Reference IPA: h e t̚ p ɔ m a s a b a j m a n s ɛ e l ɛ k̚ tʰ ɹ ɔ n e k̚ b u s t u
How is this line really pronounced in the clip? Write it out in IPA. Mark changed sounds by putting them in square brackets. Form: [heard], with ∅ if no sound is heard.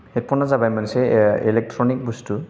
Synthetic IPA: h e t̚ p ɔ [n] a [z] a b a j m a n s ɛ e l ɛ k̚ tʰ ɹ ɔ n [i] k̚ b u s t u